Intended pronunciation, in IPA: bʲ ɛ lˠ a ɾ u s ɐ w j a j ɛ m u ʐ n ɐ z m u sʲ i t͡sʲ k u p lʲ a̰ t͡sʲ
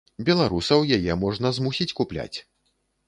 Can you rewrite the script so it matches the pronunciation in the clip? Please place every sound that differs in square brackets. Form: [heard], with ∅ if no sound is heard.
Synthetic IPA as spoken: bʲ ɛ lˠ a ɾ u s ɐ w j a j ɛ m [ɔ] ʐ n ɐ z m u sʲ i t͡sʲ k u p lʲ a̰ t͡sʲ